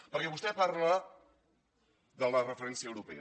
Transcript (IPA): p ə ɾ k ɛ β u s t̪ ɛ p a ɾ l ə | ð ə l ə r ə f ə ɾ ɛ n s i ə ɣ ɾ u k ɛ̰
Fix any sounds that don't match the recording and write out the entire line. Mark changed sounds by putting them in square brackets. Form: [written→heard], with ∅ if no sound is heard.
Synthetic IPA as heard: p ə ɾ k ɛ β u s t̪ ɛ p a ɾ l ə | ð ə l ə r ə f ə ɾ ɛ n s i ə [ɣ→w] ɾ u [k→p] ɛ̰